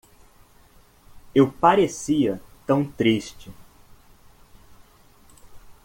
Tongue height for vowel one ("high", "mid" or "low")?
mid